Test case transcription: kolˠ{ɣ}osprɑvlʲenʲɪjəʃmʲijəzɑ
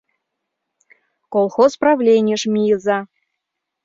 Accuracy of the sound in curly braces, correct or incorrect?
incorrect: x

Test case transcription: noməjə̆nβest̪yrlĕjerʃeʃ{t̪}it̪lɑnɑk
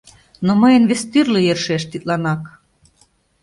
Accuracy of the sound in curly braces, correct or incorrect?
correct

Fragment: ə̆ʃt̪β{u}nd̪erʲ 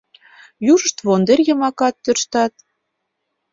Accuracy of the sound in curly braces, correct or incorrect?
incorrect: o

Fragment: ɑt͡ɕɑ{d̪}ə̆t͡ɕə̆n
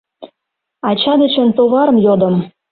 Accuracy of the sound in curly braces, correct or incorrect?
correct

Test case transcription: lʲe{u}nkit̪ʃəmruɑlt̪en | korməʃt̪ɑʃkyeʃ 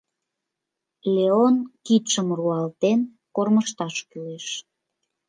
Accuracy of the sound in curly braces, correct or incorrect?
incorrect: o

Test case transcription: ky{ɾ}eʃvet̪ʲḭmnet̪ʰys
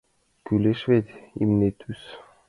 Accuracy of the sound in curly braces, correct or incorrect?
incorrect: l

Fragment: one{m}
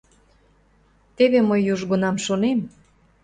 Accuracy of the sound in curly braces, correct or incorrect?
correct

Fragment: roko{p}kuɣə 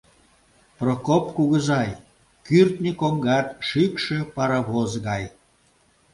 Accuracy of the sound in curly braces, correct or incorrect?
correct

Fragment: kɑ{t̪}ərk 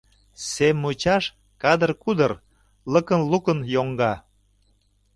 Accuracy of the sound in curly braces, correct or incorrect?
incorrect: d̪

